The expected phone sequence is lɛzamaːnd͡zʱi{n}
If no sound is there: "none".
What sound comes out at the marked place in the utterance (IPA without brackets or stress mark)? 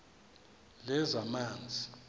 none